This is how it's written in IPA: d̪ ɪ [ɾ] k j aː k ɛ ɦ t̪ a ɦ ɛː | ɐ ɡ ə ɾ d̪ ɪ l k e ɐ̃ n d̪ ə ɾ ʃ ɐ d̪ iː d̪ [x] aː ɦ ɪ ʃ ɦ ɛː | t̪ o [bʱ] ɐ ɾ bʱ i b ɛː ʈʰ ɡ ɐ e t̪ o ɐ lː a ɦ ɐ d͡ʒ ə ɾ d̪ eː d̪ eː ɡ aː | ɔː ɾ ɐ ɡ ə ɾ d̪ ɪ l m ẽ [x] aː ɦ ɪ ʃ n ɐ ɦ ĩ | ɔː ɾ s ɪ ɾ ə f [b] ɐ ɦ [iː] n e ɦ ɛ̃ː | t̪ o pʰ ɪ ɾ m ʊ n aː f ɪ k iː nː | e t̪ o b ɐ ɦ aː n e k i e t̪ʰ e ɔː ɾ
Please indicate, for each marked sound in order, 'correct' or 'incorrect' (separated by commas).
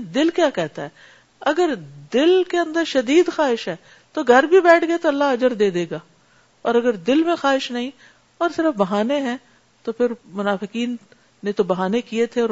incorrect, correct, incorrect, correct, correct, incorrect